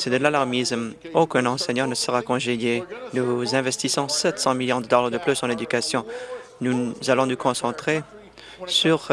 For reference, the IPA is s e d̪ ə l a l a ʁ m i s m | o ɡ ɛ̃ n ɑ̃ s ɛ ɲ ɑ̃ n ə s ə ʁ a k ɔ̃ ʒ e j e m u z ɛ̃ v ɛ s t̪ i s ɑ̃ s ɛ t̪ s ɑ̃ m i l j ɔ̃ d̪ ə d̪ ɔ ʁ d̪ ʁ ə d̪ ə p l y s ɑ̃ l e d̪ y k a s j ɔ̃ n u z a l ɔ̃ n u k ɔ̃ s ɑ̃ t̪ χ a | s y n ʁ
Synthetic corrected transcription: s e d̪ ə l a l a ʁ m i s m | o k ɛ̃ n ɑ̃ s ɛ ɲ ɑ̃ n ə s ə ʁ a k ɔ̃ ʒ e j e n u z ɛ̃ v ɛ s t̪ i s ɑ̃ s ɛ t̪ s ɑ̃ m i l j ɔ̃ d̪ ə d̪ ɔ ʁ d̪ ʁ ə d̪ ə p l y s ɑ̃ l e d̪ y k a s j ɔ̃ n u z a l ɔ̃ n u k ɔ̃ s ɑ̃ t̪ χ e | s y ʁ